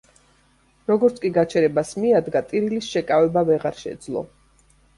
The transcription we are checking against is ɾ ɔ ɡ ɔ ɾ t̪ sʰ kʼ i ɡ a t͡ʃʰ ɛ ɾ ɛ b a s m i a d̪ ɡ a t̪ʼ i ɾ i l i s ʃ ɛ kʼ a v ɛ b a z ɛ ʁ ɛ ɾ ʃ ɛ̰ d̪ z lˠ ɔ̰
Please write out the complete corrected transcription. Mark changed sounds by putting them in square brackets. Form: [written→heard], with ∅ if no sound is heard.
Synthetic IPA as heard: ɾ ɔ ɡ ɔ ɾ t̪ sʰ kʼ i ɡ a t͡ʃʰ ɛ ɾ ɛ b a s m i a d̪ ɡ a t̪ʼ i ɾ i l i s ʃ ɛ kʼ a v ɛ b a [z→v] ɛ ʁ [ɛ→a] ɾ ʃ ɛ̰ d̪ z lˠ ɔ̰